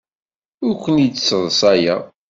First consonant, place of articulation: alveolar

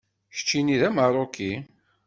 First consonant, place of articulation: palatal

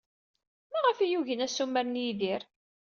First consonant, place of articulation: labial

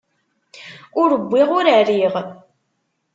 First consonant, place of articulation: alveolar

